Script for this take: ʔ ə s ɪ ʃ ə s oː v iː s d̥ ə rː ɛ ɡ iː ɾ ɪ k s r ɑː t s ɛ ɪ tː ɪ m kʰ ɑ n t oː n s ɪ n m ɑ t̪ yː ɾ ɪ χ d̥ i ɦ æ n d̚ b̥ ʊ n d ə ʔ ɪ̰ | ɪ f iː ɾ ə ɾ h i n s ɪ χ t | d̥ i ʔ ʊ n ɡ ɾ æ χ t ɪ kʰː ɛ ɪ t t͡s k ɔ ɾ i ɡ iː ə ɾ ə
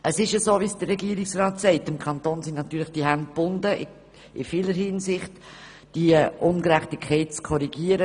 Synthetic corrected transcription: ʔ ə s ɪ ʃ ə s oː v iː s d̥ ə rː ɛ ɡ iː ɾ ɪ k s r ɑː t s ɛ ɪ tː ɪ m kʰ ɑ n t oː n s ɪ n n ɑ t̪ yː l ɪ χ d̥ i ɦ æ n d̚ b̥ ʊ n d ə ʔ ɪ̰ | ɪ f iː l ə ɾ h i n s ɪ χ t | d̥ i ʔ ʊ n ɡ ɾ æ χ t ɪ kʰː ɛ ɪ t t͡s kʰ ɔ ɾ i ɡ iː ə ɾ ə

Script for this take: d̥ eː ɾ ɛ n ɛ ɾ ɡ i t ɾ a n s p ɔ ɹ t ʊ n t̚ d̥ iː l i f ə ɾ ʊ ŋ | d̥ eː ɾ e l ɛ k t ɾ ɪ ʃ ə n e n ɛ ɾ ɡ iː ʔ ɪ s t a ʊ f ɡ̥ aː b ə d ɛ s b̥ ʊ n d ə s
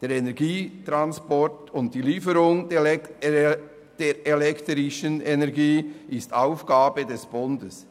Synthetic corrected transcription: d̥ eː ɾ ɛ n ɛ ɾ ɡ iː t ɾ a n s p ɔ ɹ t ʊ n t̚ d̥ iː l iː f ə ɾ ʊ ŋ | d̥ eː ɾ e l ɛ k t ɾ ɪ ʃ ə n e n ɛ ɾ ɡ iː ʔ ɪ s t a ʊ f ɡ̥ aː b ə d ɛ s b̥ ʊ n d ə s

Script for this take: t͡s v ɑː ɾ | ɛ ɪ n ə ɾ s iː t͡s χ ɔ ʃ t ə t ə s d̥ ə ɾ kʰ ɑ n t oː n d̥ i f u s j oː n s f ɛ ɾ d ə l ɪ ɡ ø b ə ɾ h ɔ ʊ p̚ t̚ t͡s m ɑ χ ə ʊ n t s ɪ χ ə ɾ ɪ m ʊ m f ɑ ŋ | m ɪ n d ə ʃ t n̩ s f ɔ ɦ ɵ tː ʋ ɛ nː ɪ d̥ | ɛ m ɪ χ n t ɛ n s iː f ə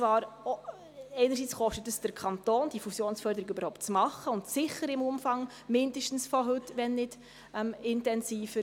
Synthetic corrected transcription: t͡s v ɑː ɾ | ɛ ɪ n ə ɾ s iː t͡s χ ɔ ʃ t ə t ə s d̥ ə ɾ kʰ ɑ n t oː n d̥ i f u s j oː n s f œ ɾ d ə ɾ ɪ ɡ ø b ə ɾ h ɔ ʊ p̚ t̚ t͡s m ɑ χ ə ʊ n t s ɪ χ ə ɾ ɪ m ʊ m f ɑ ŋ | m ɪ n d ə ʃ t n̩ s f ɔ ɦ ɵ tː ʋ ɛ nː ɪ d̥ | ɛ m ɪ n t ɛ n s iː f ə

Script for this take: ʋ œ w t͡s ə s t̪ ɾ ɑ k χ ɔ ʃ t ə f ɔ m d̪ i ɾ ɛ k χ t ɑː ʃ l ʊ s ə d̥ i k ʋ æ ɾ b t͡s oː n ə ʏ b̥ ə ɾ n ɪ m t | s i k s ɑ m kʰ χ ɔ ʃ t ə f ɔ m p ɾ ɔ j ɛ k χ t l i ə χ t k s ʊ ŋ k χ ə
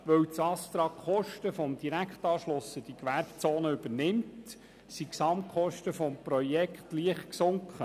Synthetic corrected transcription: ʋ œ w t͡s ɑ s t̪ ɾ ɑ k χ ɔ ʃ t ə f ɔ m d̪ i ɾ æ k χ t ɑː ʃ l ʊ s ə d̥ i k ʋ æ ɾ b t͡s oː n ə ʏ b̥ ə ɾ n ɪ m t | s i k s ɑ m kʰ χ ɔ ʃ t ə f ɔ m p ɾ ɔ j ɛ k χ t l i ə χ t k s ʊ ŋ k χ ə

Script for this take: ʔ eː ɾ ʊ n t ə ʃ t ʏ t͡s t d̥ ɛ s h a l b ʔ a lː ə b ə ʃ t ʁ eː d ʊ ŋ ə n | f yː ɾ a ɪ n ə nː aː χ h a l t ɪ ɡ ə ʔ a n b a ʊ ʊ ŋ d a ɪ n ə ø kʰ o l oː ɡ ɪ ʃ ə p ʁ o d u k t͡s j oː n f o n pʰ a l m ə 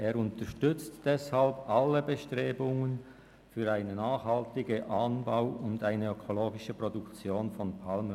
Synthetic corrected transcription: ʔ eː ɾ ʊ n t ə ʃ t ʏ t͡s t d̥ ɛ s h a l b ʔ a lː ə b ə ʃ t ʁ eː b ʊ ŋ ə n | f yː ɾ a ɪ n ə n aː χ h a l t ɪ ɡ ə ʔ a n b a ʊ ʊ n d a ɪ n ə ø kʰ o l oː ɡ ɪ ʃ ə p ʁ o d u k t͡s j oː n f ɔ n pʰ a l m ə

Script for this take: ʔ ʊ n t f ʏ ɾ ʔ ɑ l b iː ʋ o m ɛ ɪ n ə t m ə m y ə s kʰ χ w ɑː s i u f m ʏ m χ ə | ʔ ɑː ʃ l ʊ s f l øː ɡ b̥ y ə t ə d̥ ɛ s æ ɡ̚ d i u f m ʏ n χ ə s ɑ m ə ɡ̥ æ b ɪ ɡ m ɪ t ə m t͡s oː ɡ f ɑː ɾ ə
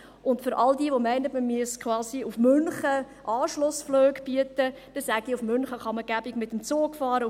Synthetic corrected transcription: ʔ ʊ n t f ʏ ɾ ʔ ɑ l d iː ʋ o m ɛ ɪ n ə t m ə m y ə s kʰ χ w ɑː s i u f m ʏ n χ ə | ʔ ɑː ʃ l ʊ s f l øː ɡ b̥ y ə t ə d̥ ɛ s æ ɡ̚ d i u f m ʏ n χ ə χ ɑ m ə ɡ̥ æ b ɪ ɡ m ɪ t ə m t͡s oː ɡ f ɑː ɾ ə

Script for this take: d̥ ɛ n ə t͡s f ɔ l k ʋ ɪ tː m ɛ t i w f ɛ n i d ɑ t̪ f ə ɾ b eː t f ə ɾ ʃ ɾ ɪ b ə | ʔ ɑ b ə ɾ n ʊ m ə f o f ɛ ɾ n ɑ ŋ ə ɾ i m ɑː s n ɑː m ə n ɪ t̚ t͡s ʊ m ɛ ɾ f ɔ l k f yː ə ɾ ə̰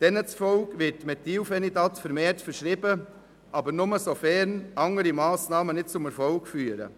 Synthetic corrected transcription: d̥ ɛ n ə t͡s f ɔ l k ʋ ɪ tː m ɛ t i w f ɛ n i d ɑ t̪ f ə ɾ m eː t f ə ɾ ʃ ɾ ɪ b ə | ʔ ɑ b ə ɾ n ʊ m ə s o f ɛ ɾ n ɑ ŋ ə ɾ i m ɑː s n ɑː m ə n ɪ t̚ t͡s ʊ m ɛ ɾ f ɔ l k f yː ə ɾ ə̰

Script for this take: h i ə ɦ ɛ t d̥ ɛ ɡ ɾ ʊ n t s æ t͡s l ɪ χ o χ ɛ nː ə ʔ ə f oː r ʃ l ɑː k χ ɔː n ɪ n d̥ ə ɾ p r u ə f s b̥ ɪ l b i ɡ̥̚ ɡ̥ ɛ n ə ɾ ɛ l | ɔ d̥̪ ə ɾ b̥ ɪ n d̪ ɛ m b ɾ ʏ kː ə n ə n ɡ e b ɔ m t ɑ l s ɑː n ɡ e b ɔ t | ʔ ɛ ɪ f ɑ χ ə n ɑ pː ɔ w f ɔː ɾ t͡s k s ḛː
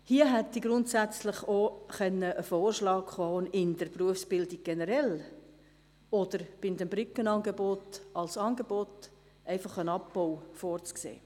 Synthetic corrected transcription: h i ə ɦ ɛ t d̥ i ɡ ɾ ʊ n t s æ t͡s l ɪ χ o χ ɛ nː ə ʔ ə f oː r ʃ l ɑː k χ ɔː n ɪ n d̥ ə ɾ p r u ə f s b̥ ɪ l d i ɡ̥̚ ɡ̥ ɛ n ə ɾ ɛ l | ɔ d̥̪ ə ɾ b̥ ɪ n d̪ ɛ m b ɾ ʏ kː ə n ɑ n ɡ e b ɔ t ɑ l s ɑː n ɡ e b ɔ t | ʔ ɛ ɪ f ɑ χ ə n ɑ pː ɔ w f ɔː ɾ t͡s k s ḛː

